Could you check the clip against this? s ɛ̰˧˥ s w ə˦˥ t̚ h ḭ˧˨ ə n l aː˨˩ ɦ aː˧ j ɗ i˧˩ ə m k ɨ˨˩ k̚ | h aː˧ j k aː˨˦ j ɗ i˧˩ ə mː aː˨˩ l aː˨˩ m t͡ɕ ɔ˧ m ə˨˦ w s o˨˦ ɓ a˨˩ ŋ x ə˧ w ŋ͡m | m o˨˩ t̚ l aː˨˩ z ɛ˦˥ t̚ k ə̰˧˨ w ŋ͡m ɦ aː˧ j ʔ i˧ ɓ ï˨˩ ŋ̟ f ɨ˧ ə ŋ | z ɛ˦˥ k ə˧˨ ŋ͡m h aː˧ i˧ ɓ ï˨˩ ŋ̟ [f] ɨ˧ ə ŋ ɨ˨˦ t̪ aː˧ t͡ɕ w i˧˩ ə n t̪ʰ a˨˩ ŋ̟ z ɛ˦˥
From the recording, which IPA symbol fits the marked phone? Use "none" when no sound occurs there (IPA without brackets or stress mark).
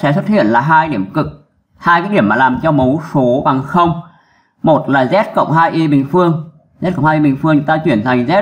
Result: f